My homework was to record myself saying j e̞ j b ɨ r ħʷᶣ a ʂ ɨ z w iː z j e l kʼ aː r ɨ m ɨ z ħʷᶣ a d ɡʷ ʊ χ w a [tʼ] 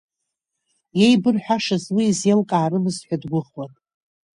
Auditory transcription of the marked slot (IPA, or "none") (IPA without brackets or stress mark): tʼ